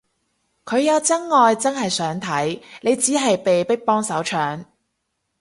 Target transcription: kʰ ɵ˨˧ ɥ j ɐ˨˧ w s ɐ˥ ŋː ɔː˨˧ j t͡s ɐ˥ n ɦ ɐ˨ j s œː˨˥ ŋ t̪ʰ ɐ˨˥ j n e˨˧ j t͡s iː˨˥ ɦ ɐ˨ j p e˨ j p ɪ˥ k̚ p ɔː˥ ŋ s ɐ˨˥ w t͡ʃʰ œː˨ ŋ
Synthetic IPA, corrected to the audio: kʰ ɵ˨˧ ɥ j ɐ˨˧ w t͡s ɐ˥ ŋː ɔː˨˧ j t͡s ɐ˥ n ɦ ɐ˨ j s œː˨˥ ŋ t̪ʰ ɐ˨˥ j n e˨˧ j t͡s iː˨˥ ɦ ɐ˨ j p e˨ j p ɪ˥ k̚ p ɔː˥ ŋ s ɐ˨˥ w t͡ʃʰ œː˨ ŋ